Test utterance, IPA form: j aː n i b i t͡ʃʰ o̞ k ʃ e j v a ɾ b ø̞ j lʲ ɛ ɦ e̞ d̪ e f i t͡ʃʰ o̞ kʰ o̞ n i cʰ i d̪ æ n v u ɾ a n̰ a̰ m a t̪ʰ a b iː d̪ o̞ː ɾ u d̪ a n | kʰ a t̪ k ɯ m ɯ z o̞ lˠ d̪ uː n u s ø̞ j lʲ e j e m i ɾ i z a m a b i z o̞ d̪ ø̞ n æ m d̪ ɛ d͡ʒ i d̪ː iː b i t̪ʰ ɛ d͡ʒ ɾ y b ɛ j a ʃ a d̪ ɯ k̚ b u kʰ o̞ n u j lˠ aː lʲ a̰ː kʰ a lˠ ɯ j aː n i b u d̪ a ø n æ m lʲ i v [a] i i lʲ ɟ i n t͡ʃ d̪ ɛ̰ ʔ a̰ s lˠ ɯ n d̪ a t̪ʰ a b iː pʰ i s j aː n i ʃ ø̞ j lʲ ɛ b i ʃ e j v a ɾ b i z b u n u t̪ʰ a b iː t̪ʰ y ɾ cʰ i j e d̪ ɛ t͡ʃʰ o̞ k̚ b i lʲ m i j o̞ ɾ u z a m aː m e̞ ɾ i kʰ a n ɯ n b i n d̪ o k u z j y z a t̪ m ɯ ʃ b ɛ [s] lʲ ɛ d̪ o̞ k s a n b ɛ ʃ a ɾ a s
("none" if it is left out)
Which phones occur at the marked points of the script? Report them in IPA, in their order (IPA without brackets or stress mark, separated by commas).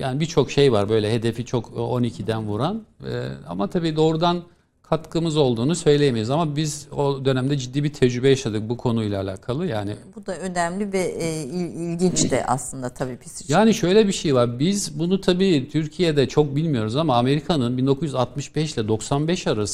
ɛ, ʃ